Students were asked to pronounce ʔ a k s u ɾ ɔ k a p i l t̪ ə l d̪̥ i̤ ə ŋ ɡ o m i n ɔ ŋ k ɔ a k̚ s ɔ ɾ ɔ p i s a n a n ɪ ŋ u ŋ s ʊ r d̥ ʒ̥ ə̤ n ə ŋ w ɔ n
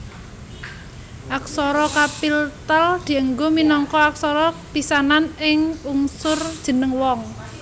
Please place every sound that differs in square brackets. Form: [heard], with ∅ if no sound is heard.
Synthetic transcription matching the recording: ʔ a k s [ɔ] ɾ ɔ k a p i l t̪ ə l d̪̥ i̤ ə ŋ ɡ o m i n ɔ ŋ k ɔ a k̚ s ɔ ɾ ɔ p i s a n a n ɪ ŋ u ŋ s ʊ r d̥ ʒ̥ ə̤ n ə ŋ w ɔ [ŋ]